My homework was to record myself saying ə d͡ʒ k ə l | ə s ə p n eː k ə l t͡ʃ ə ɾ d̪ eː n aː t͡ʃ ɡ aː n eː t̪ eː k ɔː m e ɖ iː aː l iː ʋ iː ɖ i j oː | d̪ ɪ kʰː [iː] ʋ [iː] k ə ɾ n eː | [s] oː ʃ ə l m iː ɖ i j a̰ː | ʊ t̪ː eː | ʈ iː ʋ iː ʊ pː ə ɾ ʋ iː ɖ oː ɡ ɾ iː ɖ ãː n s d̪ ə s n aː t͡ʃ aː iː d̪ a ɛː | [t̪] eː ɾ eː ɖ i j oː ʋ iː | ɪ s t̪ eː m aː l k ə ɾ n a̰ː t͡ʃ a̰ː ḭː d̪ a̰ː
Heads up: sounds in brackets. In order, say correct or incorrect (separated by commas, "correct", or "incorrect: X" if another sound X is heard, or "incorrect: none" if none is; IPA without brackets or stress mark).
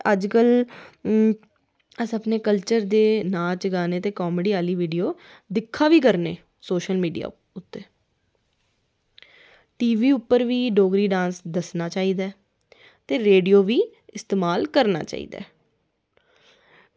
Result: incorrect: aː, correct, correct, correct